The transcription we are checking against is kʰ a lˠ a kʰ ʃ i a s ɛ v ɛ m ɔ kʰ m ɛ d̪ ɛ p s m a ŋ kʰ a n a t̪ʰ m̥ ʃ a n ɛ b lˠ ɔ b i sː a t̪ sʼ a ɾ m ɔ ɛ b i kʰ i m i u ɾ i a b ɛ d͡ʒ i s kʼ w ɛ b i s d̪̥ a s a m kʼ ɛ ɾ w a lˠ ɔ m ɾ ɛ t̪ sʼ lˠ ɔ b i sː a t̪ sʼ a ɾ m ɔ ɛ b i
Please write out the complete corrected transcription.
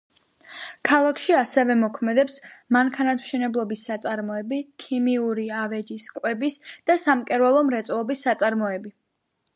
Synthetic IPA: kʰ a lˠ a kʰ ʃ i a s ɛ v ɛ m ɔ kʰ m ɛ d̪ ɛ p s m a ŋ kʰ a n a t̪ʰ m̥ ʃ ɛ n ɛ b lˠ ɔ b i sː a t̪ sʼ a ɾ m ɔ ɛ b i kʰ i m i u ɾ i a v ɛ d͡ʒ i s kʼ w ɛ b i s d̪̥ a s a m kʼ ɛ ɾ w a lˠ ɔ m ɾ ɛ t̪ sʼ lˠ ɔ b i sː a t̪ sʼ a ɾ m ɔ ɛ b i